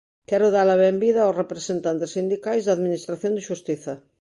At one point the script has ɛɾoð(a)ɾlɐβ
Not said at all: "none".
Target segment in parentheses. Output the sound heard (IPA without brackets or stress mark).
a